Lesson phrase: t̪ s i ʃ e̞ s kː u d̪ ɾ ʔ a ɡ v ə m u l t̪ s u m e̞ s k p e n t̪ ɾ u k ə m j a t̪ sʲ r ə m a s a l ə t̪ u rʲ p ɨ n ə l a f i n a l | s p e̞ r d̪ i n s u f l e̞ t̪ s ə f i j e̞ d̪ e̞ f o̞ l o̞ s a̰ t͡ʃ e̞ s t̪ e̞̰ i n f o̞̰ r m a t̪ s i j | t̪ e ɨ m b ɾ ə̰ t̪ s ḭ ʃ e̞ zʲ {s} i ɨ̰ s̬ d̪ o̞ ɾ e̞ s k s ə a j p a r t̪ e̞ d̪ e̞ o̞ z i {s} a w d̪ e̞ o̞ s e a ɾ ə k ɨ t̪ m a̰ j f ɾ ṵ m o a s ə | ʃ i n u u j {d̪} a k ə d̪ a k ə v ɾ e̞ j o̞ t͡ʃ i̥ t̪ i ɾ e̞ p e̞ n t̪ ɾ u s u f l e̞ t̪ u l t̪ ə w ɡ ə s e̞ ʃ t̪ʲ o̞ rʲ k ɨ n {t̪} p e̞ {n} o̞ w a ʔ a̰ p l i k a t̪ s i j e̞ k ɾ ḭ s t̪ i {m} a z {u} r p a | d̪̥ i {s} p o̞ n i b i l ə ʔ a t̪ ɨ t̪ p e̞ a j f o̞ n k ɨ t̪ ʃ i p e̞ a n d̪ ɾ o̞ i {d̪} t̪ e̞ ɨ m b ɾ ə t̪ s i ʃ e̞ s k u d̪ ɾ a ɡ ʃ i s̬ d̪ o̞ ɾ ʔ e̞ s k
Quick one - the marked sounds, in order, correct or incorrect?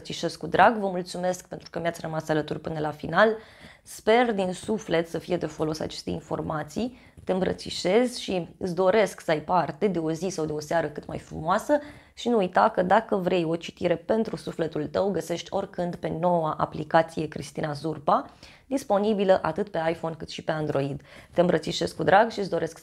incorrect: ʃ, correct, incorrect: t̪, incorrect: d̪, correct, incorrect: n, correct, correct, correct

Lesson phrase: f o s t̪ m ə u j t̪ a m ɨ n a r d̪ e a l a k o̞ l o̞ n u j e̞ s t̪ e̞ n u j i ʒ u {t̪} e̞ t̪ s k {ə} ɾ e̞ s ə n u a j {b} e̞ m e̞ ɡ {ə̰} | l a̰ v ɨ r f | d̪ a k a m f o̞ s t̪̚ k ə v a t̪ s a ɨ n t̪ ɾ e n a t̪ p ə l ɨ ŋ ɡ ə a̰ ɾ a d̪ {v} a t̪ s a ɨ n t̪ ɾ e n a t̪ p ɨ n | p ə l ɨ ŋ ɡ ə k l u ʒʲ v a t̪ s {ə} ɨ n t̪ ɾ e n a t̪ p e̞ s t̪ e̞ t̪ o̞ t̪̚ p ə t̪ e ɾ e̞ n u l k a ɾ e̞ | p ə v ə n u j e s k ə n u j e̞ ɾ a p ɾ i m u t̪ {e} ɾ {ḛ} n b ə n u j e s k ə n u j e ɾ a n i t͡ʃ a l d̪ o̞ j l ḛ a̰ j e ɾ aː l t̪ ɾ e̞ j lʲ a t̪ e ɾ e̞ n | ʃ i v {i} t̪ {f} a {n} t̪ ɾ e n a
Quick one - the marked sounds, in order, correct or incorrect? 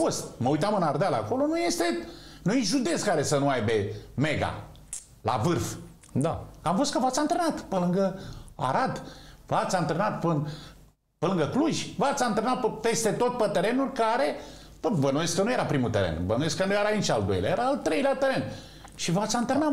incorrect: d̪, incorrect: a, correct, incorrect: a̰, correct, incorrect: a, correct, correct, incorrect: a, incorrect: s, correct

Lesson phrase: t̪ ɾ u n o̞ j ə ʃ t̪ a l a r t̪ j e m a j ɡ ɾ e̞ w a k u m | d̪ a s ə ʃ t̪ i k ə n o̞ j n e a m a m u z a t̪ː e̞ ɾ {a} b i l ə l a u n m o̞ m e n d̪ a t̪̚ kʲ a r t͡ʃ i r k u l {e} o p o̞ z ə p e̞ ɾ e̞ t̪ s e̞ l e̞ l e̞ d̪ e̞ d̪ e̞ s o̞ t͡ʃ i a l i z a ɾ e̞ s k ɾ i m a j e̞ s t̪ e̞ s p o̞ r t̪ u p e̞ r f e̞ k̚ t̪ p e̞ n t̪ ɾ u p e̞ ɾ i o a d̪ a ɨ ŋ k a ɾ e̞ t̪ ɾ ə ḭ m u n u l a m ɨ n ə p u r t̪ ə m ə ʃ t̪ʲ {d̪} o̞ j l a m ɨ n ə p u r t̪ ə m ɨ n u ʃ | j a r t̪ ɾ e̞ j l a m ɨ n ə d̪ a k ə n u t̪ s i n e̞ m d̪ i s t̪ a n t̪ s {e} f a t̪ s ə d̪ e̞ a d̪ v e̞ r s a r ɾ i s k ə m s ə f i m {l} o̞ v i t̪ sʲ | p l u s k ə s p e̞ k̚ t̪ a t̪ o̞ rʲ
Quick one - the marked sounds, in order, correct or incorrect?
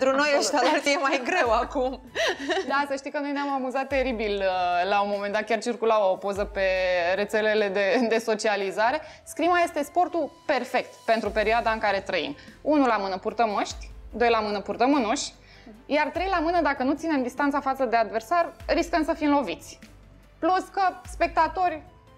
incorrect: i, incorrect: a, correct, incorrect: a, correct

